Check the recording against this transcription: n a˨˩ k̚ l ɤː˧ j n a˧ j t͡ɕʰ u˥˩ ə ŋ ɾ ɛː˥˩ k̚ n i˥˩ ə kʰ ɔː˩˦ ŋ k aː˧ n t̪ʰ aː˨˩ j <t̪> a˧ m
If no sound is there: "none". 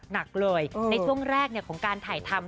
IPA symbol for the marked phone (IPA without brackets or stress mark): t̪ʰ